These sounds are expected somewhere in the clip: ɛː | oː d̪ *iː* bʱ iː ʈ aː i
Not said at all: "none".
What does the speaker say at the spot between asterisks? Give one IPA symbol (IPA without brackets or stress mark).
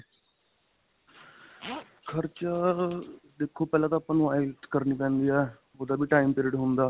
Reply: aː